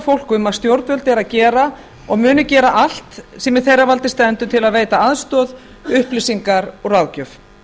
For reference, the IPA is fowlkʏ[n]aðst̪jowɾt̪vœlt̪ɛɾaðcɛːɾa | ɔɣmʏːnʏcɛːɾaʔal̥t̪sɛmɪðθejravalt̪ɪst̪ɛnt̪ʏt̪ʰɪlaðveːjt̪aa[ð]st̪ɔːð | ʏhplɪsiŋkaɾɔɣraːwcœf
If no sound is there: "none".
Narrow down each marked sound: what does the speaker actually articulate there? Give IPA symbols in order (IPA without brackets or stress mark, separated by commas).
m, ð